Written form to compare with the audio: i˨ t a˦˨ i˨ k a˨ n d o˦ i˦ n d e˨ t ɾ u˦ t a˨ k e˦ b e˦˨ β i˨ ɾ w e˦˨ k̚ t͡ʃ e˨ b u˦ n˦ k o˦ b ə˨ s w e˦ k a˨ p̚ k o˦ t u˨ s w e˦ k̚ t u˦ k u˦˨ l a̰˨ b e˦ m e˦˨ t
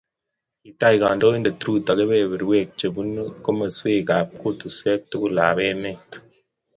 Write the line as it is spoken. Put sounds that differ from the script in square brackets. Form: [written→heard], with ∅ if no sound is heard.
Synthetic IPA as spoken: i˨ t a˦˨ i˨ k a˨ n d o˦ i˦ n d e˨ t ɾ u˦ t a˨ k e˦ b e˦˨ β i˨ ɾ w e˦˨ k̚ t͡ʃ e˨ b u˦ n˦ k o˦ [b→m] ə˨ s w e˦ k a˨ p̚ k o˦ t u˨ s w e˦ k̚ t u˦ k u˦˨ l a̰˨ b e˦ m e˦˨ t